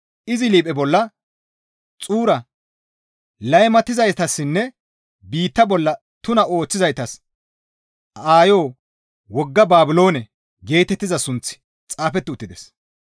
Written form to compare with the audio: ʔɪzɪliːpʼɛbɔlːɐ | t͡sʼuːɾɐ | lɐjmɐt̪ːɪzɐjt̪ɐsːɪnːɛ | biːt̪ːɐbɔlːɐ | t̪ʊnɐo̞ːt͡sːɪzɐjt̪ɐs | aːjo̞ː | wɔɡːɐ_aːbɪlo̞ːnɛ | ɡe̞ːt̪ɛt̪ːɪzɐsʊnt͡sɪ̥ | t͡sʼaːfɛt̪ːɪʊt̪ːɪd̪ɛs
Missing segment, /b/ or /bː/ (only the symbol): b